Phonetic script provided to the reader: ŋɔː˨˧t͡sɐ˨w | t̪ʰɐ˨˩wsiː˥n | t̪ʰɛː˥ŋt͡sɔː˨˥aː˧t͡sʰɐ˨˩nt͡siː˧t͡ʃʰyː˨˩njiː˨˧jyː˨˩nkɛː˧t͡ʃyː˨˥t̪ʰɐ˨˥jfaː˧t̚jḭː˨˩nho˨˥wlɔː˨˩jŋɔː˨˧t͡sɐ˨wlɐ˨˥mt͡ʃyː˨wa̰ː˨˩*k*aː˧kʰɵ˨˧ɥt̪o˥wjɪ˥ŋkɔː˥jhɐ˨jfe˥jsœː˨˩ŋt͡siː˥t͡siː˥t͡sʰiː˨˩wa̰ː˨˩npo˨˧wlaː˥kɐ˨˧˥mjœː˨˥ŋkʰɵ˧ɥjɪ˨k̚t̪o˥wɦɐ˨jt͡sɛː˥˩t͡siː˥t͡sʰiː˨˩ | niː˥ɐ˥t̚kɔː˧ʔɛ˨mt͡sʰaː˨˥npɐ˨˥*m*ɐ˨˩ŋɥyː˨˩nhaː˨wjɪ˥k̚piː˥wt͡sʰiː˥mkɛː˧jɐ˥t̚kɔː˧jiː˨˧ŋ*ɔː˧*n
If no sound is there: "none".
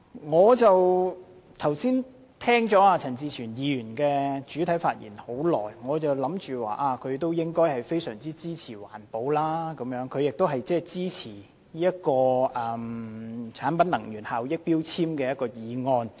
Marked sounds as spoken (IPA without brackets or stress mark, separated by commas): ʔ, n, ɔː˧